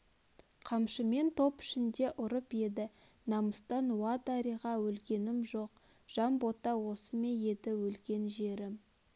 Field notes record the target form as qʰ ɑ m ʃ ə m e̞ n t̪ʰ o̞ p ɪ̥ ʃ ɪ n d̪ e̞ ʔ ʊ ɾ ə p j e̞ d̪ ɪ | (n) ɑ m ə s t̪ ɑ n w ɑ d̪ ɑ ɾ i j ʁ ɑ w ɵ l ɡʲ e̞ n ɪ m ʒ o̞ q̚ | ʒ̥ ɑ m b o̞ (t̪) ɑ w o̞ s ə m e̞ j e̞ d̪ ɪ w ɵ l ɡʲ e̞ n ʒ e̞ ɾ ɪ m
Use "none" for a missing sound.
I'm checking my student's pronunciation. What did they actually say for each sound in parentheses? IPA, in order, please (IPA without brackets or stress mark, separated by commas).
n, t̪